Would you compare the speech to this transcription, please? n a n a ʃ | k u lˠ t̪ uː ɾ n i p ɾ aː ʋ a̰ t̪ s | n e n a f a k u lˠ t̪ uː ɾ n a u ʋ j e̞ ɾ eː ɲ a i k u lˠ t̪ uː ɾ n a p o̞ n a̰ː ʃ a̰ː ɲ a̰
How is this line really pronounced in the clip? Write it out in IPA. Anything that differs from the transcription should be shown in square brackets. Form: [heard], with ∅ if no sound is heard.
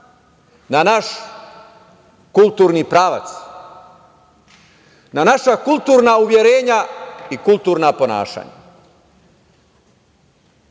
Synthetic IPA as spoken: n a n a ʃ | k u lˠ t̪ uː ɾ n i p ɾ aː ʋ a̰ t̪ s | n [a] n a [ʃ] a k u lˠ t̪ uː ɾ n a u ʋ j e̞ ɾ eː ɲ a i k u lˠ t̪ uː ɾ n a p o̞ n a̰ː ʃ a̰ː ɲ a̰

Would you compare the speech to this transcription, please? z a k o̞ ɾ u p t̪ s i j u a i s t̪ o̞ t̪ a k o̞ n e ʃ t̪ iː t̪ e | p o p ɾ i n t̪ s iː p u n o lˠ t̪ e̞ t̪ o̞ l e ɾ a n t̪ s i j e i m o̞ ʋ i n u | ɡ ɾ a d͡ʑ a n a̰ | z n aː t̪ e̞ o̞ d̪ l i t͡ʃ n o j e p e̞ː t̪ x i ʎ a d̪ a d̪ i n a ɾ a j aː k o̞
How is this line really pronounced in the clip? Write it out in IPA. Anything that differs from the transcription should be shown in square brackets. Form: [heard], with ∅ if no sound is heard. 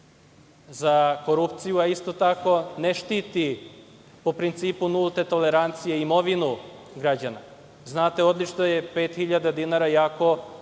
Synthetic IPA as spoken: z a k o̞ ɾ u p t̪ s i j u a i s t̪ o̞ t̪ a k o̞ n e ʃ t̪ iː t̪ [i] | p o p ɾ i n t̪ s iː p u n [u] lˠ t̪ e̞ t̪ o̞ l e ɾ a n t̪ s i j e i m o̞ ʋ i n u | ɡ ɾ a d͡ʑ a n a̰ | z n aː t̪ e̞ o̞ d̪ l i t͡ʃ n o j e p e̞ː t̪ x i ʎ a d̪ a d̪ i n a ɾ a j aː k o̞

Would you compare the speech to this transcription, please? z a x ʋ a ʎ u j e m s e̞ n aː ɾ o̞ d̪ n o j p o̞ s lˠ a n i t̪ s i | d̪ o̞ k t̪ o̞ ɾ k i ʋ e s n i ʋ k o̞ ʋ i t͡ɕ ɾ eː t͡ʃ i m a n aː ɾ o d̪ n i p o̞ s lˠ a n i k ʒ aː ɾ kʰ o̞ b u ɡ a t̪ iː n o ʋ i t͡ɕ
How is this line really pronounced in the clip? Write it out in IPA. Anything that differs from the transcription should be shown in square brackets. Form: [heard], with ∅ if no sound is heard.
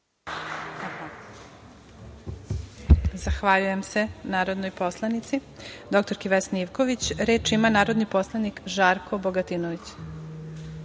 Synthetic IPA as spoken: z a x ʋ a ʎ u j e m s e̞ n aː ɾ o̞ d̪ n o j p o̞ s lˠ a n i t̪ s i | d̪ o̞ k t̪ o̞ ɾ k i ʋ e s n i ʋ k o̞ ʋ i t͡ɕ ɾ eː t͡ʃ i m a n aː ɾ o d̪ n i p o̞ s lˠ a n i k ʒ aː ɾ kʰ o̞ b [o] ɡ a t̪ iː n o ʋ i t͡ɕ

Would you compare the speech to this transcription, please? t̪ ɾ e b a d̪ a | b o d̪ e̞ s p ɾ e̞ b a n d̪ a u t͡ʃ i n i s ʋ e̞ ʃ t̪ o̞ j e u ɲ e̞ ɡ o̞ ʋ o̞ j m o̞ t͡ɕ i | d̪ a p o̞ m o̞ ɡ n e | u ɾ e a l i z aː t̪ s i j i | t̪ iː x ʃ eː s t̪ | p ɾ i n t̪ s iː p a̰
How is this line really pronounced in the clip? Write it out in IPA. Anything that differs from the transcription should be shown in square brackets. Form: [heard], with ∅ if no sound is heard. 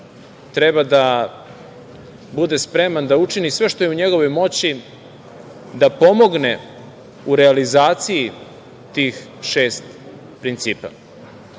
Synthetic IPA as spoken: t̪ ɾ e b a d̪ a | b [u] d̪ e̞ s p ɾ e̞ [m] a n d̪ a u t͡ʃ i n i s ʋ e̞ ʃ t̪ o̞ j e u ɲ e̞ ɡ o̞ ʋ o̞ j m o̞ t͡ɕ i | d̪ a p o̞ m o̞ ɡ n e | u ɾ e a l i z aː t̪ s i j i | t̪ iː x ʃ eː s t̪ | p ɾ i n t̪ s iː p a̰

